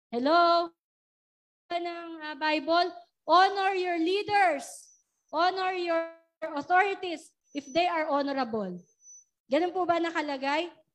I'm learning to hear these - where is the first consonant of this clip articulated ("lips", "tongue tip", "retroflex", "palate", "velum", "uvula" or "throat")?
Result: throat